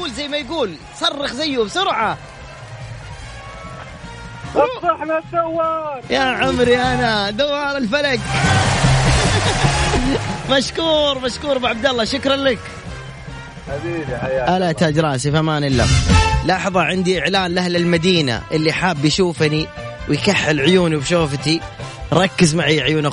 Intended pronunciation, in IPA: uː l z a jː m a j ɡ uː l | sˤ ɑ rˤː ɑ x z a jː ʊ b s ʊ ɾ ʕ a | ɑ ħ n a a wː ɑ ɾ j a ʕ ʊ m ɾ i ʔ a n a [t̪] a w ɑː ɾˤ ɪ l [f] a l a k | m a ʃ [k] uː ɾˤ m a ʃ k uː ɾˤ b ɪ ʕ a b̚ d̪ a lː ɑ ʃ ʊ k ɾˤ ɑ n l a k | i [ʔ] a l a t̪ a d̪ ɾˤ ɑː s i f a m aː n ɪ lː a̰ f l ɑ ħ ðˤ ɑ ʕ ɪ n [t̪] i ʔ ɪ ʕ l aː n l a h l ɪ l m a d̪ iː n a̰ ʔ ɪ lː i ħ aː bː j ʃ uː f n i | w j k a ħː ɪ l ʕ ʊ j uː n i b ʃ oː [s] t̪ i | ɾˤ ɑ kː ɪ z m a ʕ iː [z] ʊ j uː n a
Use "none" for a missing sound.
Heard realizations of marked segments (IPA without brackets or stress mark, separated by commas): d̪, f, k, ʔ, d̪, f, ʕ